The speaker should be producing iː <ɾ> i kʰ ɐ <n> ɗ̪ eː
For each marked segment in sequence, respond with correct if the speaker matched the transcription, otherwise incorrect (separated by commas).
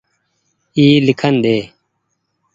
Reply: incorrect, correct